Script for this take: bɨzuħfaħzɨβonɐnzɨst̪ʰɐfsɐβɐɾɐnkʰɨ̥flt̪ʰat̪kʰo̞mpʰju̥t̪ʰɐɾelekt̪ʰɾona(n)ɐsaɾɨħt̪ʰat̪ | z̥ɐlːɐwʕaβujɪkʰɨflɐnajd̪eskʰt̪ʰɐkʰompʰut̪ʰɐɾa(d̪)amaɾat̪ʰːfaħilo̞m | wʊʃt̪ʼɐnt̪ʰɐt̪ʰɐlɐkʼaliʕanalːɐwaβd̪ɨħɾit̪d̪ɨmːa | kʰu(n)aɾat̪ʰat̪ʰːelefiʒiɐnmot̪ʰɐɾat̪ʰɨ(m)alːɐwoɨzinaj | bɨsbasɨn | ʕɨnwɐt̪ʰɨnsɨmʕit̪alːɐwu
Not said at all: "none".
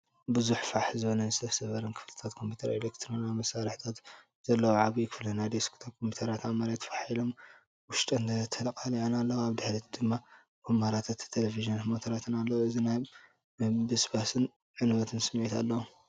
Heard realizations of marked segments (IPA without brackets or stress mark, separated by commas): m, t̪, m, n